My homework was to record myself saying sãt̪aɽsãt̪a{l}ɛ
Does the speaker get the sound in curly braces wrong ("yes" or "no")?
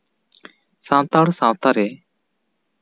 yes